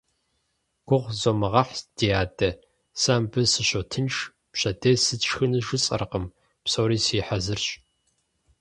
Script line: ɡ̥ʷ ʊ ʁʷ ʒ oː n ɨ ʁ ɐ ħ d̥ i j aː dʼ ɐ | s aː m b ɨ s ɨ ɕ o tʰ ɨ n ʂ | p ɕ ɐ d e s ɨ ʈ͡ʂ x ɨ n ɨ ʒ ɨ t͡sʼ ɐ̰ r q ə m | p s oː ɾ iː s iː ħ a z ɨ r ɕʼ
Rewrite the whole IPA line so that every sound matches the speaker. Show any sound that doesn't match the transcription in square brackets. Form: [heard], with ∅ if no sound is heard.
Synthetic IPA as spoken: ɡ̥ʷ ʊ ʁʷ [z] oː [m] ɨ ʁ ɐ ħ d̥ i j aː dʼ ɐ | s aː m b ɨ s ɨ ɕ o tʰ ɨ n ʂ | p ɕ ɐ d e s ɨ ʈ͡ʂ x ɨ n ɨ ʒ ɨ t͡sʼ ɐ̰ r q ə m | p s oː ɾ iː s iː ħ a z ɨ r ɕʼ